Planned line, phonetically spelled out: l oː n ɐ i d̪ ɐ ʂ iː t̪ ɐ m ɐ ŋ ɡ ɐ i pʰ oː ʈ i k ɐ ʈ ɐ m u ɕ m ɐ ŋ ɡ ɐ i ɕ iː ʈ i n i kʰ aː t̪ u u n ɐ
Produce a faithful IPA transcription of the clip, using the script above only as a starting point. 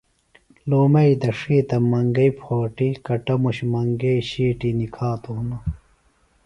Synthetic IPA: l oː m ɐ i d̪ ɐ ʂ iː t̪ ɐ m ɐ ŋ ɡ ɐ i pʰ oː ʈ i k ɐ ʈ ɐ m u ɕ m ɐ ŋ ɡ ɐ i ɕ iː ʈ i n i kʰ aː t̪ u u n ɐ